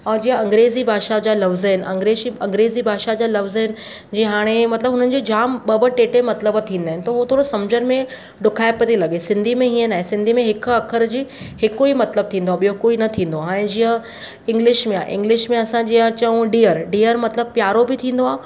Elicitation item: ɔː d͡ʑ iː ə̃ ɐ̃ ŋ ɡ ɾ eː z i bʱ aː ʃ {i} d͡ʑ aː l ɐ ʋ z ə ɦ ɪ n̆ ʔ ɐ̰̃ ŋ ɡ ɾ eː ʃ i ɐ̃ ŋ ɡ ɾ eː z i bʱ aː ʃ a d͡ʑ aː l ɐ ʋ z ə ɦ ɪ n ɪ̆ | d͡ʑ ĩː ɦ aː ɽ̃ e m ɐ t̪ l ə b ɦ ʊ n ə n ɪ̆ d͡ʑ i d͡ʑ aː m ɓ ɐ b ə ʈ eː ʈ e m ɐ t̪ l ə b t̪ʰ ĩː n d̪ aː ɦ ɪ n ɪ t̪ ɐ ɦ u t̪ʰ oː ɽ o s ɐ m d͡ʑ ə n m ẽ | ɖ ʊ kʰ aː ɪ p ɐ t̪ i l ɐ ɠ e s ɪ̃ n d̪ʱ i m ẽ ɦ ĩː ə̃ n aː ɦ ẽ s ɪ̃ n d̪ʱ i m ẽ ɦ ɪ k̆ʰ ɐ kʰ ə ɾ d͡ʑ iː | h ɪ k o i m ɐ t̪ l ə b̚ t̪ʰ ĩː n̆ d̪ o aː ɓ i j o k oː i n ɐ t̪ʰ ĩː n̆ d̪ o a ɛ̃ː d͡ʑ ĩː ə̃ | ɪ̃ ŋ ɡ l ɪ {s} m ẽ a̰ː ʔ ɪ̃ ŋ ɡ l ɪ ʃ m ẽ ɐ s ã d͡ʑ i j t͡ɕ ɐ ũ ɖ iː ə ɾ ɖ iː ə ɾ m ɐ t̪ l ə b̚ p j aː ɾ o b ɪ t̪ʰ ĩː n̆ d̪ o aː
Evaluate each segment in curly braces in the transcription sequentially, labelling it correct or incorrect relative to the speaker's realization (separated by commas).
incorrect, incorrect